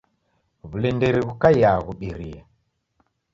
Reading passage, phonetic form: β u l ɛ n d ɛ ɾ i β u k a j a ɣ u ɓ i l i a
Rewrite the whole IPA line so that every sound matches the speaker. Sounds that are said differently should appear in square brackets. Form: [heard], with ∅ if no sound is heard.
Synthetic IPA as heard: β u l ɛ n d ɛ ɾ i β u k a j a ɣ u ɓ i [ɾ] i a

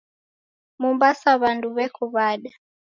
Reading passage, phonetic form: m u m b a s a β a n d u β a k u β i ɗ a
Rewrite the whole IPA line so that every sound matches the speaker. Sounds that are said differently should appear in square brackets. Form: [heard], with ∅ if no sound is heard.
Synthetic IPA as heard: m u m b a s a β a n d u β [ɛ] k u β [a] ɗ a

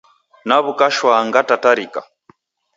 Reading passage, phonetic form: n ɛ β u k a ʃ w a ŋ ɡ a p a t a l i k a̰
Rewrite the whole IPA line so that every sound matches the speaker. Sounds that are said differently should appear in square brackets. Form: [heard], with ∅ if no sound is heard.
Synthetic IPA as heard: n [a] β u k a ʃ w a ŋ ɡ a [t] a t a [ɾ] i k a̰

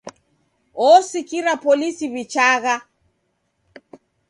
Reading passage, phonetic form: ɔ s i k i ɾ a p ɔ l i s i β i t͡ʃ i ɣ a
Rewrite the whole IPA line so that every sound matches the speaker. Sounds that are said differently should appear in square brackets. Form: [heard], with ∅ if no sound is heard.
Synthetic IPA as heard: ɔ s i k i ɾ a p ɔ l i s i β i t͡ʃ [a] ɣ a

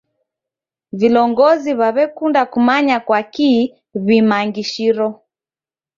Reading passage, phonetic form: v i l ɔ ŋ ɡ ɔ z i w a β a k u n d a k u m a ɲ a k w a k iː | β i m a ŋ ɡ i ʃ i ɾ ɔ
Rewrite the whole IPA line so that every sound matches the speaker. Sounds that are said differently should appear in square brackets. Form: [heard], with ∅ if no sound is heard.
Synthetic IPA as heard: v i l ɔ ŋ ɡ ɔ z i [β] a β [ɛ] k u n d a k u m a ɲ a k w a k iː | β i m a ŋ ɡ i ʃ i ɾ ɔ

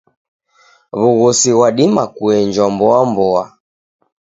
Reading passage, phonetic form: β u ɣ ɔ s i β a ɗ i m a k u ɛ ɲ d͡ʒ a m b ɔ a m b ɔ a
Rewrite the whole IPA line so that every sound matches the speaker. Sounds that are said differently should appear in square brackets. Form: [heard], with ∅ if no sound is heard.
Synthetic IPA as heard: β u ɣ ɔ s i [w] a ɗ i m a k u ɛ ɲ d͡ʒ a m b ɔ a m b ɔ a

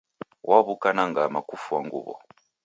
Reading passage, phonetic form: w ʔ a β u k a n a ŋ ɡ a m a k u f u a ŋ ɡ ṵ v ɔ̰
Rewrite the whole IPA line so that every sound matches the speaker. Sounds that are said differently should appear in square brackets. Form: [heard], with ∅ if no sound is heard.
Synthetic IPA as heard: w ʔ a β u k a n a ŋ ɡ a m a k u f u a ŋ ɡ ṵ [β] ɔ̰

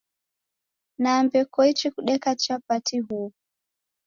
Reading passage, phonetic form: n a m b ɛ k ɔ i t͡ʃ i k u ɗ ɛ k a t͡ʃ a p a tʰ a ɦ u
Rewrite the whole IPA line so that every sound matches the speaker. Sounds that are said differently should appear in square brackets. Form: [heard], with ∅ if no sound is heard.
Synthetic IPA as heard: n a m b ɛ k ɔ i t͡ʃ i k u ɗ ɛ k a t͡ʃ a p a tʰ [i] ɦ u

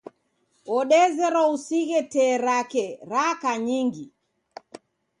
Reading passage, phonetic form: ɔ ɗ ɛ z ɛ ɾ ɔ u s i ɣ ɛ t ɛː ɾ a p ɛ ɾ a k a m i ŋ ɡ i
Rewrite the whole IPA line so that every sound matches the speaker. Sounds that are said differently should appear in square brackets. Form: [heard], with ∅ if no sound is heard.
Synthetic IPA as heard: ɔ ɗ ɛ z ɛ ɾ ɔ u s i ɣ ɛ t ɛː ɾ a [k] ɛ ɾ a k a [ɲ] i ŋ ɡ i

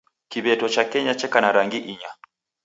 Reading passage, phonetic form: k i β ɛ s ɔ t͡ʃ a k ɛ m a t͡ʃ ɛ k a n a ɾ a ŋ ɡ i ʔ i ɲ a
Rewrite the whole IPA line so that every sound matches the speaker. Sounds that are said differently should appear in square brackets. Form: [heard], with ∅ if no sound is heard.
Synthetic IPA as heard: k i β ɛ [t] ɔ t͡ʃ a k ɛ [ɲ] a t͡ʃ ɛ k a n a ɾ a ŋ ɡ i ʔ i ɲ a

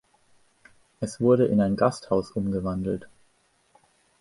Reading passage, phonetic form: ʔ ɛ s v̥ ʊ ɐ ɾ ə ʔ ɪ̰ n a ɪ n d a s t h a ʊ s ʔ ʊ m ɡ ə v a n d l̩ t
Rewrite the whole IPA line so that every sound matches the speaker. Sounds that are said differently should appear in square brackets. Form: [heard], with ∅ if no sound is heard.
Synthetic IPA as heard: ʔ ɛ s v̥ ʊ ɐ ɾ ə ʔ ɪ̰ n a ɪ n [ɡ] a s t h a ʊ s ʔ ʊ m ɡ ə v a n d l̩ t

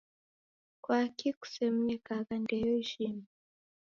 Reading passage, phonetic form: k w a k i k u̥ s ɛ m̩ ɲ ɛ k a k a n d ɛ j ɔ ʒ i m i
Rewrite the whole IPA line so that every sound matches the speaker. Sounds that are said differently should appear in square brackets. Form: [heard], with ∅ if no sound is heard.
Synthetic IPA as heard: k w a k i k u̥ s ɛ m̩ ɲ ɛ k a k a n d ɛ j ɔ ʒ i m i

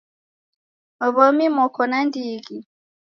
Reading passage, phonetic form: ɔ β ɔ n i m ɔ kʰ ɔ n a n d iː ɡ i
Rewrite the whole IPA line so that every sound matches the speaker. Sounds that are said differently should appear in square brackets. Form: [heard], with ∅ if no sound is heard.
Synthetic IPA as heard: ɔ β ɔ [m] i m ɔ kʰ ɔ n a n d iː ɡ i

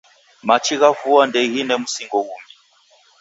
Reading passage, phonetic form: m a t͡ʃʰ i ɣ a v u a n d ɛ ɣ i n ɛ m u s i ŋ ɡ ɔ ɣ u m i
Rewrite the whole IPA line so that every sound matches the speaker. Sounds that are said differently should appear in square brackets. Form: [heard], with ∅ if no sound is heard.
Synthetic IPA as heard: m a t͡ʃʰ i ɣ a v u a n d ɛ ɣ i n ɛ m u s i ŋ ɡ ɔ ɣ u m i

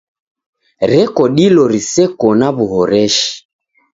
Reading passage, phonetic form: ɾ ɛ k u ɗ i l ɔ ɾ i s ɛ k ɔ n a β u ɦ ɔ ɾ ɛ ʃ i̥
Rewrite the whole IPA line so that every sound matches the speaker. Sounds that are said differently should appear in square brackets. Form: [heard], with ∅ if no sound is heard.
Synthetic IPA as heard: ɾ ɛ k [ɔ] ɗ i l ɔ ɾ i s ɛ k ɔ n a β u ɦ ɔ ɾ ɛ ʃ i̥

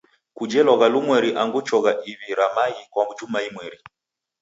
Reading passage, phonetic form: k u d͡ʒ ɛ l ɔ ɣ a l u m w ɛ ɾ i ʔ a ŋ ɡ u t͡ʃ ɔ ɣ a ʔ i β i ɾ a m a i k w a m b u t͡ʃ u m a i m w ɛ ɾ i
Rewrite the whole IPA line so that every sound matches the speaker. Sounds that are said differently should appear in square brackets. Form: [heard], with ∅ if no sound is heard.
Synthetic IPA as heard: k u d͡ʒ ɛ l ɔ ɣ a l u m w ɛ ɾ i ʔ a ŋ ɡ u t͡ʃ ɔ ɣ a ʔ i β i ɾ a m a i k w a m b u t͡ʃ u m a i m w ɛ ɾ i

